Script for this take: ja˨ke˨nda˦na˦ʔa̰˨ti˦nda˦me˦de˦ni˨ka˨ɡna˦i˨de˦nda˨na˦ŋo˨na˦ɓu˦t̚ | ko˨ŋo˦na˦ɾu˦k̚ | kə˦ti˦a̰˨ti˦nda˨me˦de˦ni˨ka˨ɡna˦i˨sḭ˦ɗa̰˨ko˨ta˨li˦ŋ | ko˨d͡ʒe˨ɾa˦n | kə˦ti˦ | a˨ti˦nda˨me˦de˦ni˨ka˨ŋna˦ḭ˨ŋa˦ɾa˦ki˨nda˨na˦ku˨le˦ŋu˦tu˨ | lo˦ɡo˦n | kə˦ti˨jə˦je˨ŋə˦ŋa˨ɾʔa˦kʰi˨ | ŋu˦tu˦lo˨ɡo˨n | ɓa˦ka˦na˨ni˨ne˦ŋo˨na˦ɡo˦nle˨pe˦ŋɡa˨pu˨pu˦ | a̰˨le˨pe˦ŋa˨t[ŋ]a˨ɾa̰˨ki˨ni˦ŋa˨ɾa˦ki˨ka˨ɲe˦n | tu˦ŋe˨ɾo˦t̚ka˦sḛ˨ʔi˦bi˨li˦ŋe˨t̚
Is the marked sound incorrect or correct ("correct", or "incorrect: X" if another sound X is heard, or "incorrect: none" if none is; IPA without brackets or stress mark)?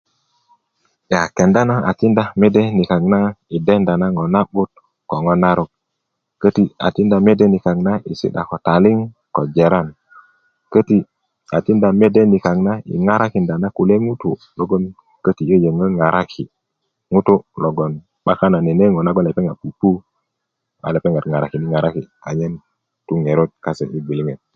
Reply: correct